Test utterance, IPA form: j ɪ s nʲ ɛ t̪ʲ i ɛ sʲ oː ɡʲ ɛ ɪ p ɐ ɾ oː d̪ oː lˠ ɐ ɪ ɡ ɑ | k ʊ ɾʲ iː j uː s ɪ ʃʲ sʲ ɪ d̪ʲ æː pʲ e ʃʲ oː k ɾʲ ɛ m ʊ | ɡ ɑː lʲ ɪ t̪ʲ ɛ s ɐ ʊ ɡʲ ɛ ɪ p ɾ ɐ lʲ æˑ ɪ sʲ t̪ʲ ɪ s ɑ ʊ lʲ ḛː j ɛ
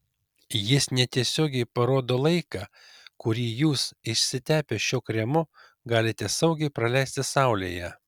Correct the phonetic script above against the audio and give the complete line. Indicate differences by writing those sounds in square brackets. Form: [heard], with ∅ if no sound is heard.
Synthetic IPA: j ɪ s nʲ ɛ t̪ʲ i ɛ sʲ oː ɡʲ ɛ ɪ p ɐ ɾ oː d̪ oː lˠ ɐ ɪ [k] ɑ | k ʊ ɾʲ iː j uː s ɪ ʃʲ sʲ ɪ [t̪ʲ] æː pʲ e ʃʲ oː k ɾʲ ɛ m ʊ | ɡ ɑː lʲ ɪ t̪ʲ ɛ s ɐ ʊ ɡʲ ɛ ɪ p ɾ ɐ lʲ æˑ ɪ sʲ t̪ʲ ɪ s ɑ ʊ lʲ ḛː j ɛ

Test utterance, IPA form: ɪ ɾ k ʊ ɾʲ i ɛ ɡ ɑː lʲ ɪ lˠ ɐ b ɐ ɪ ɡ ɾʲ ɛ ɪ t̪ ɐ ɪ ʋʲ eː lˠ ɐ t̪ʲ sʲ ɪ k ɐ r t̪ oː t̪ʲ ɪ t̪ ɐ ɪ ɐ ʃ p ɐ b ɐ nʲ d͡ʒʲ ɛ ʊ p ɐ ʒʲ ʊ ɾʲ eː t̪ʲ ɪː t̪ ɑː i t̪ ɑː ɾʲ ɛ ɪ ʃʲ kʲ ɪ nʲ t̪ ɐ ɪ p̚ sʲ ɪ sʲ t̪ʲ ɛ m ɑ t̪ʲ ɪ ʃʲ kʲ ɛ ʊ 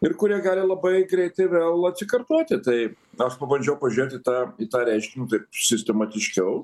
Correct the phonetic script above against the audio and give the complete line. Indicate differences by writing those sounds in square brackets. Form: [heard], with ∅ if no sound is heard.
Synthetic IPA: ɪ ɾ k ʊ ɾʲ i ɛ ɡ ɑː lʲ ɪ lˠ ɐ b ɐ ɪ ɡ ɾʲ ɛ ɪ t̪ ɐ ɪ ʋʲ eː lˠ ɐ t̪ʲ sʲ ɪ k ɐ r t̪ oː t̪ʲ ɪ t̪ ɐ ɪ ɐ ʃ p ɐ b ɐ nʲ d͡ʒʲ ɛ ʊ p ɐ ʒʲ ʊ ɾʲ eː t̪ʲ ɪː t̪ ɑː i t̪ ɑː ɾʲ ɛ ɪ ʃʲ kʲ ɪ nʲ t̪ ɐ ɪ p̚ sʲ ɪ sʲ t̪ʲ ɛ m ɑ t̪ʲ ɪ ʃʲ kʲ ɛ ʊ

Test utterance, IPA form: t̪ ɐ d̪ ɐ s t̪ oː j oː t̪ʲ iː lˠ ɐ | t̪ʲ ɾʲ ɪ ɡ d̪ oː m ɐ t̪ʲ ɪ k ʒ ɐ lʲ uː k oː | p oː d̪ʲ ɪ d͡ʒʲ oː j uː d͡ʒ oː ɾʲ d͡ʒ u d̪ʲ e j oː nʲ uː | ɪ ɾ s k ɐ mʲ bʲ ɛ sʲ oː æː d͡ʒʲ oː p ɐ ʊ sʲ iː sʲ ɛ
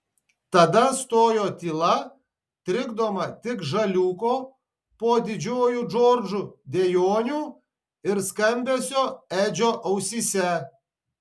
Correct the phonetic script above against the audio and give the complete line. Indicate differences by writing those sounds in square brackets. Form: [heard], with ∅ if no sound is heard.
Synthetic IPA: t̪ ɐ d̪ ɐ s t̪ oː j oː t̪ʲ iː lˠ ɐ | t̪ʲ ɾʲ ɪ ɡ d̪ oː m ɐ t̪ʲ ɪ k ʒ ɐ lʲ uː k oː | p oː d̪ʲ ɪ d͡ʒʲ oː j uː d͡ʒ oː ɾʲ d͡ʒ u d̪ʲ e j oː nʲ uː | ɪ ɾ s k ɐ mʲ bʲ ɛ sʲ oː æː d͡ʒʲ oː [ʔ] ɐ ʊ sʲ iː sʲ ɛ

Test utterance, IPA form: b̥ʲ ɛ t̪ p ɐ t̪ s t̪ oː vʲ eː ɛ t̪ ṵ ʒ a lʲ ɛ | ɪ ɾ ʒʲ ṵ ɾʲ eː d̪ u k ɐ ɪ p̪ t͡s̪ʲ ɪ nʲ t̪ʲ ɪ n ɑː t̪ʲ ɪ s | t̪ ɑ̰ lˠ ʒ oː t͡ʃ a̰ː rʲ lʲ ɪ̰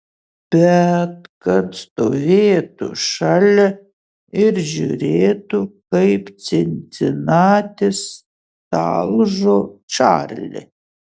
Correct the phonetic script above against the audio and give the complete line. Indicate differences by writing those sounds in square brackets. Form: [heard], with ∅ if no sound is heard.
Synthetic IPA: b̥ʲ ɛ t̪ [k] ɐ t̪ s t̪ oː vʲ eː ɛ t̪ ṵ [ʃ] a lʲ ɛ | ɪ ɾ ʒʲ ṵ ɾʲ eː [t̪] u k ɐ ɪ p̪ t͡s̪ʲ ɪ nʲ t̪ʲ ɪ n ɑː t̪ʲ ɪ s | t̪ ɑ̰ lˠ ʒ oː t͡ʃ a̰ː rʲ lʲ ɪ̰

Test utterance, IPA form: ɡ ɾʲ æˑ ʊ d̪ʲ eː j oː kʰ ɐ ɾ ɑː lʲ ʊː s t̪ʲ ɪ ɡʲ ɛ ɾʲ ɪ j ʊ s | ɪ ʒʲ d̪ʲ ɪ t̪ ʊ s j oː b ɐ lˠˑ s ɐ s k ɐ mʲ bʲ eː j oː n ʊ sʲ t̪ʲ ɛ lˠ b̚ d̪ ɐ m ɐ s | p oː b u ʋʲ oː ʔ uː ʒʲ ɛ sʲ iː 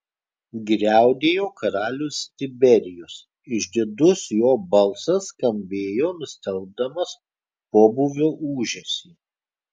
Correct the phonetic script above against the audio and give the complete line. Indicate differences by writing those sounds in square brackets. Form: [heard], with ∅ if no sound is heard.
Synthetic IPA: ɡ ɾʲ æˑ ʊ d̪ʲ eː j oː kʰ ɐ ɾ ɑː lʲ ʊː s t̪ʲ ɪ [bʲ] ɛ ɾʲ ɪ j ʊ s | ɪ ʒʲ d̪ʲ ɪ [d̪] ʊ s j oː b ɐ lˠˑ s ɐ s k ɐ mʲ bʲ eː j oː n ʊ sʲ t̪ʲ ɛ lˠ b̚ d̪ ɐ m ɐ s | p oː b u ʋʲ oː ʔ uː ʒʲ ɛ sʲ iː

